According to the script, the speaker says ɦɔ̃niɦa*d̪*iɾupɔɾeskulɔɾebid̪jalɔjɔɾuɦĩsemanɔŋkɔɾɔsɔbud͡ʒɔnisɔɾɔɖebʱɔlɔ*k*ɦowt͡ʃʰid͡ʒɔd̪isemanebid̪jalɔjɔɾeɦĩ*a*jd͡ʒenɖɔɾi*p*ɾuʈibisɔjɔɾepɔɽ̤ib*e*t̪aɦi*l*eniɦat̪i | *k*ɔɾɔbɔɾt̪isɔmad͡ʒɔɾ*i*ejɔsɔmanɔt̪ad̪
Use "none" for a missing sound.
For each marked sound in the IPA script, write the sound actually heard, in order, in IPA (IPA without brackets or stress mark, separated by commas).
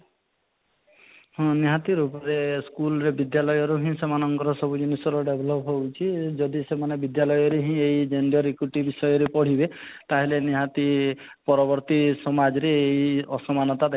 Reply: t̪, p, e, k, e, l, p, e